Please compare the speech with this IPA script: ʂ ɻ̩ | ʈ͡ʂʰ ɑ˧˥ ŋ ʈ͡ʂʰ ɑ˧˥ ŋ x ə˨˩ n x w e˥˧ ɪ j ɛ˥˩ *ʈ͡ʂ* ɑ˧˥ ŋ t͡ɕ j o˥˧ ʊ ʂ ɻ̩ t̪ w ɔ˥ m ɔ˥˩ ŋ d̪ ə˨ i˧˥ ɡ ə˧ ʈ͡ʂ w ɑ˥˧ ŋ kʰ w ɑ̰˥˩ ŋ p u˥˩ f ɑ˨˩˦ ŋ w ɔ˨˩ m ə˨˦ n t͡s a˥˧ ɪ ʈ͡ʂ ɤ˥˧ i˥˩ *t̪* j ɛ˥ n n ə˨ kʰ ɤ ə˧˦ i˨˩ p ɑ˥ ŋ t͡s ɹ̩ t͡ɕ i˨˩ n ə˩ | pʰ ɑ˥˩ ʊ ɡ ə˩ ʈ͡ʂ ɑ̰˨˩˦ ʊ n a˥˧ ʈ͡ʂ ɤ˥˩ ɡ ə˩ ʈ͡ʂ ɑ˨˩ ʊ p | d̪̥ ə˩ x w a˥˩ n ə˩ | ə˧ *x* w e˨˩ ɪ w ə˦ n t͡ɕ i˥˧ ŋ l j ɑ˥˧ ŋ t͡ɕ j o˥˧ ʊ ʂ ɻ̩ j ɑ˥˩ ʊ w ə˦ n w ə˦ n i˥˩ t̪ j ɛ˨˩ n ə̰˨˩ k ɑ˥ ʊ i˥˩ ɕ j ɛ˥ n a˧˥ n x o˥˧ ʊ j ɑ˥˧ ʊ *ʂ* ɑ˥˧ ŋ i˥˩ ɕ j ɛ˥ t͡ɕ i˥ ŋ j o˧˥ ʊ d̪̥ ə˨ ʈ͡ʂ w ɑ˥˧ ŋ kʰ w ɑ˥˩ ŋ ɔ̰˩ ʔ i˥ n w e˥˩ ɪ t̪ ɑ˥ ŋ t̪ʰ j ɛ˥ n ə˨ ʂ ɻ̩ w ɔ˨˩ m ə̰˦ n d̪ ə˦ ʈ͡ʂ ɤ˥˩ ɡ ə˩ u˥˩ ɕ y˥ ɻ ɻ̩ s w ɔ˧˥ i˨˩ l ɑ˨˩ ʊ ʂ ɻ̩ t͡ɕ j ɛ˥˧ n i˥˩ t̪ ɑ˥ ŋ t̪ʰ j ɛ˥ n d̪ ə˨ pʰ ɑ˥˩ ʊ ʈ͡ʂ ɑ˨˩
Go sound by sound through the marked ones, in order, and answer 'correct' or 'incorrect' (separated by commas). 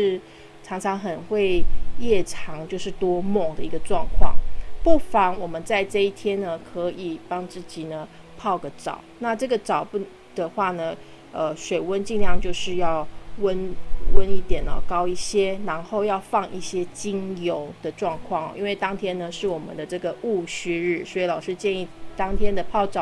incorrect, incorrect, incorrect, incorrect